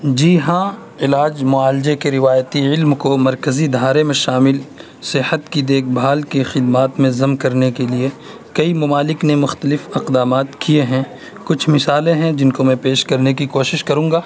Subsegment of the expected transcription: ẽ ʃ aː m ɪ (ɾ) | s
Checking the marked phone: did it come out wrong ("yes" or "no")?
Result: yes